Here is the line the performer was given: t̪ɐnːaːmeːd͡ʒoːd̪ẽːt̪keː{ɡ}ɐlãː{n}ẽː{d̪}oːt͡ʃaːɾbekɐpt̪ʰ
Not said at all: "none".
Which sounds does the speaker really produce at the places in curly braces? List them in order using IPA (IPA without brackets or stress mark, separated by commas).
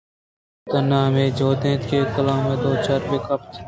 k, m, d̪